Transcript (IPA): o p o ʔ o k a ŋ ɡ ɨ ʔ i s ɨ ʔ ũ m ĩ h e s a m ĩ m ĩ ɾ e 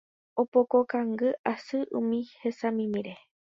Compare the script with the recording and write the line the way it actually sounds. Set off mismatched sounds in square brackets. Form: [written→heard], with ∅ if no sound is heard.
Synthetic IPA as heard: o p o [ʔ→k] o k a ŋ ɡ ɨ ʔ [i→a] s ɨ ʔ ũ m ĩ h e s a m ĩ m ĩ ɾ e